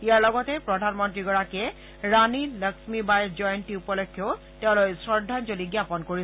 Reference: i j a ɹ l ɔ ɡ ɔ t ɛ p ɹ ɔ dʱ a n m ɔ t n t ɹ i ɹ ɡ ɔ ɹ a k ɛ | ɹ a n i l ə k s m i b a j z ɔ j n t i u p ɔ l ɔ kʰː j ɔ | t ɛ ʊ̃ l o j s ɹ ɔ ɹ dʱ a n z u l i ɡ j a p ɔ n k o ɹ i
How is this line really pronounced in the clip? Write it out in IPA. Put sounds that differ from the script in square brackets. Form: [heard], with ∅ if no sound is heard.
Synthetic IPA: i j a ɹ l ɔ ɡ ɔ t ɛ p ɹ ɔ dʱ a n m ɔ [∅] n t ɹ i [∅] ɡ ɔ ɹ a k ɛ | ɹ a n i l ə k s m i b a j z ɔ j n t i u p ɔ l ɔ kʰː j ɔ | t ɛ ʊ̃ l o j s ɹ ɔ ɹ dʱ a n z [o] l i ɡ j a p ɔ n k o ɹ i